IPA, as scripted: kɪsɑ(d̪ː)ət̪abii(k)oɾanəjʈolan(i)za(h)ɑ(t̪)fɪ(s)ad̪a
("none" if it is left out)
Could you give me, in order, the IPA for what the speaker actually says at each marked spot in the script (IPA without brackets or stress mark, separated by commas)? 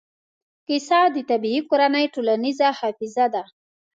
d̪, k, i, h, none, z